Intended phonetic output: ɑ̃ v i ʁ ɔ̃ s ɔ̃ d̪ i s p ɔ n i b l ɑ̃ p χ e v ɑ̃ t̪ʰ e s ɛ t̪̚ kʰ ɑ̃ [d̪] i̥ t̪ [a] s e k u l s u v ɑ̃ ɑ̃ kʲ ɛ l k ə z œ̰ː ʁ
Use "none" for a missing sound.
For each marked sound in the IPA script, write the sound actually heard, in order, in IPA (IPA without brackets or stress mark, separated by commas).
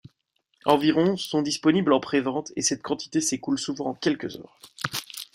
t̪, e